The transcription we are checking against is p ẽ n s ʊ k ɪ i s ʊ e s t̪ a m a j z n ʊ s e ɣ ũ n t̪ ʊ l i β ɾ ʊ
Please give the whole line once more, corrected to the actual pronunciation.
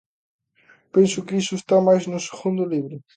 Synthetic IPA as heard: p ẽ n s ʊ k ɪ i s ʊ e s t̪ a m a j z n ʊ s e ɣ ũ n d̪ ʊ l i β ɾ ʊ